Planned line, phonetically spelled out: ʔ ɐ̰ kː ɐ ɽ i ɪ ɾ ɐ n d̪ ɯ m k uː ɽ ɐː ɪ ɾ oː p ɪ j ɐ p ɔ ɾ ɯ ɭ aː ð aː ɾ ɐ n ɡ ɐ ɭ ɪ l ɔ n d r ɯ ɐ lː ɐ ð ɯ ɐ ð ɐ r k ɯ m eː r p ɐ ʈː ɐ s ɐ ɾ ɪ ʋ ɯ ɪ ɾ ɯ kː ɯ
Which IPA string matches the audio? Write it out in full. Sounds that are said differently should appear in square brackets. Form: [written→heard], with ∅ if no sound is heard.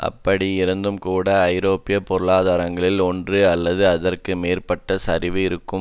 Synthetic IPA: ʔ ɐ̰ [kː→pː] ɐ ɽ i ɪ ɾ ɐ n d̪ ɯ m k uː ɽ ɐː ɪ ɾ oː p ɪ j ɐ p ɔ ɾ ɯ ɭ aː ð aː ɾ ɐ [n→ŋ] ɡ ɐ ɭ ɪ l ɔ n d r ɯ ɐ lː ɐ ð ɯ ɐ ð ɐ r k ɯ m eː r p ɐ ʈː ɐ s ɐ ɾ ɪ ʋ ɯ ɪ ɾ ɯ kː ɯ